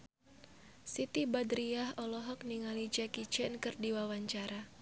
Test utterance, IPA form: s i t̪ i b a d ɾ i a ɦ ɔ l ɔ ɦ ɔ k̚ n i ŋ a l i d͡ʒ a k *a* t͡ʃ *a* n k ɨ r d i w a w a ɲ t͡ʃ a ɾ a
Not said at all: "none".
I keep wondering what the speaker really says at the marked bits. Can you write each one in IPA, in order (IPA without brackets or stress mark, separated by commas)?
i, ɛ